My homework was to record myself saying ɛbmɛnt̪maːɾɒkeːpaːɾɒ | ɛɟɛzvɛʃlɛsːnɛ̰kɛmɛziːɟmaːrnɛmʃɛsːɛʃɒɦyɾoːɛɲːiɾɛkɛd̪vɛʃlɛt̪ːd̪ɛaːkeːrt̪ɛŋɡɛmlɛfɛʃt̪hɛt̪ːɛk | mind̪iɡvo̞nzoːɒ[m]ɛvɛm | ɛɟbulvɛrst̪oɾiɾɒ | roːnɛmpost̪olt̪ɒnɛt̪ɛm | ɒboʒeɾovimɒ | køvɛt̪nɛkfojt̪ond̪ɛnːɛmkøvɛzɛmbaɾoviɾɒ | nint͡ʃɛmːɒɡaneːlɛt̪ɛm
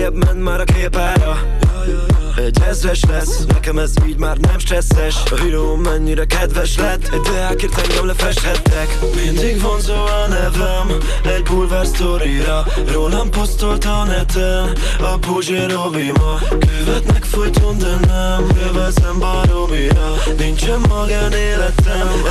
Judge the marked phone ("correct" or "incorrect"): incorrect